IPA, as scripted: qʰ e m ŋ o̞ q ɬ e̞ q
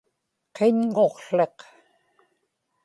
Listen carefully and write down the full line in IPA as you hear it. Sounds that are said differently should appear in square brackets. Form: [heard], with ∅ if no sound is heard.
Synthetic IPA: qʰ e [ɲ] ŋ o̞ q ɬ e̞ q